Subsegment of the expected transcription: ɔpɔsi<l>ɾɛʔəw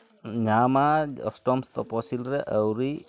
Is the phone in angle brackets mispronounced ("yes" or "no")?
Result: no